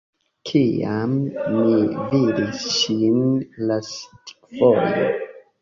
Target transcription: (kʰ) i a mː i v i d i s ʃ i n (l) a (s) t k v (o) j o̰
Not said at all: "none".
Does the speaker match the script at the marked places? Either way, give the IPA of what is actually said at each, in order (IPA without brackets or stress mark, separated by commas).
kʰ, l, s, o